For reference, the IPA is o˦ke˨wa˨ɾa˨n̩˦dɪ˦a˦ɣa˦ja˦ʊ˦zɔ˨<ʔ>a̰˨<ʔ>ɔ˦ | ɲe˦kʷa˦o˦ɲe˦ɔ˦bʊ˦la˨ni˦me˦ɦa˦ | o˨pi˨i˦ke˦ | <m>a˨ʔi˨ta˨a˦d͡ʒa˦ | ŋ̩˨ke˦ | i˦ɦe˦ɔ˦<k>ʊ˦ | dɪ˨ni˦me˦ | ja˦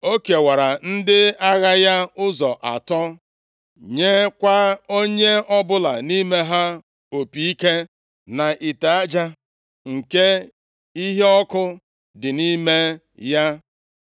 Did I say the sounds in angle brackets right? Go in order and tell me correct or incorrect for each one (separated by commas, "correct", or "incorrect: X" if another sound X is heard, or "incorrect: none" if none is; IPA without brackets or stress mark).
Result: correct, incorrect: t, incorrect: n, correct